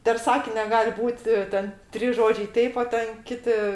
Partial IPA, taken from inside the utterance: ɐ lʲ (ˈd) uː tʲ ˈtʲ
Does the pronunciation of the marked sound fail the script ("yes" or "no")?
yes